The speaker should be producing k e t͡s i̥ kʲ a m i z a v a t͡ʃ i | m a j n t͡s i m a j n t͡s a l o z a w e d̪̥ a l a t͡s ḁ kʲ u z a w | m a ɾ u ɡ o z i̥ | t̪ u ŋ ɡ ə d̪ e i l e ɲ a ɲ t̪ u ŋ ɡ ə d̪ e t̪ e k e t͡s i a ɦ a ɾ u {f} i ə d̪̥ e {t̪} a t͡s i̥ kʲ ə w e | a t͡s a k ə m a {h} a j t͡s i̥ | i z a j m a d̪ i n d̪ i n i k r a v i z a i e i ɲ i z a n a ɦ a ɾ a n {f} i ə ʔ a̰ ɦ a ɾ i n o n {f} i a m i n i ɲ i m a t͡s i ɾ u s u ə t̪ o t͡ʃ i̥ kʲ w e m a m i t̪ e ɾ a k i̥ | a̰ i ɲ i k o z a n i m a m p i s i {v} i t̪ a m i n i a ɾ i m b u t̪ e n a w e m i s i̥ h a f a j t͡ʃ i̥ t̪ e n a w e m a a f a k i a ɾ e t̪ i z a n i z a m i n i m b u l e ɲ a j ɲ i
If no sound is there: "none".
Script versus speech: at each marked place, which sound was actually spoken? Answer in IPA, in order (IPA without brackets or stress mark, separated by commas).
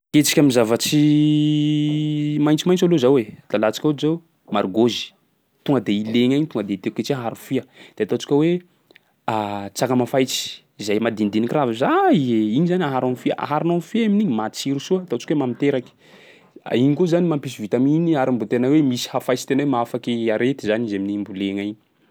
f, t̪, f, f, f, v